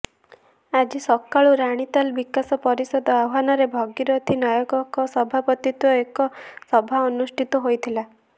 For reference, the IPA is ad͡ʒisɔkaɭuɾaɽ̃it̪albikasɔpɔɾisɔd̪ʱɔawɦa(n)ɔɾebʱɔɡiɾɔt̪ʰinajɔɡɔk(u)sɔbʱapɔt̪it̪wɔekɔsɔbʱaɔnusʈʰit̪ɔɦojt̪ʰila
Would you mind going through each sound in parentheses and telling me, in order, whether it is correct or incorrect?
correct, incorrect: ɔ

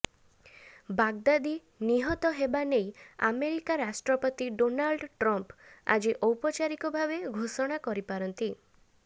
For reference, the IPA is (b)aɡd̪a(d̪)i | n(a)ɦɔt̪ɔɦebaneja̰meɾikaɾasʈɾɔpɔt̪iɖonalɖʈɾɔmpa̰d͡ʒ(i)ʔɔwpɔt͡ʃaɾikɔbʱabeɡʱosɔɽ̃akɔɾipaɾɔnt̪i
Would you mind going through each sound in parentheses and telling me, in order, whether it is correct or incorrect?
correct, correct, incorrect: i, correct

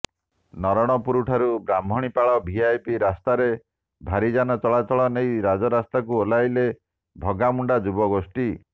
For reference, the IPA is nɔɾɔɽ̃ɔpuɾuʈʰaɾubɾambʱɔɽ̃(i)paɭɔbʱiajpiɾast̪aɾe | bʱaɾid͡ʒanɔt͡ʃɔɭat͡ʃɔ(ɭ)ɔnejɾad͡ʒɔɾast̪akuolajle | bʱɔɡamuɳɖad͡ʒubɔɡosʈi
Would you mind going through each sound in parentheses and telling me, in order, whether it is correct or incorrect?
correct, correct

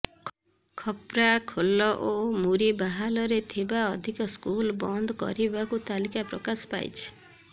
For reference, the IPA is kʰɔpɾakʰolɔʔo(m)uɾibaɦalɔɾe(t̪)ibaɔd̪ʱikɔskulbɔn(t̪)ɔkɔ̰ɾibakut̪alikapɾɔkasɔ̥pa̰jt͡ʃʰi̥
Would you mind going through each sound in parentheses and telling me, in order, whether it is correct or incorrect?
correct, incorrect: t̪ʰ, incorrect: d̪

